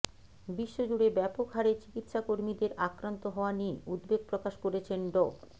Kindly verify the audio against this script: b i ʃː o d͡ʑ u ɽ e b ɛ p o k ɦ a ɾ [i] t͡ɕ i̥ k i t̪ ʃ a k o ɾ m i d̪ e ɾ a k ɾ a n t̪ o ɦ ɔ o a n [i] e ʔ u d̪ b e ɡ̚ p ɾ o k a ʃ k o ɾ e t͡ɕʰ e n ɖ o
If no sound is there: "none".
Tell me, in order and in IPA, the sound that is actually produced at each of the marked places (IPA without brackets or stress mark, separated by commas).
e, i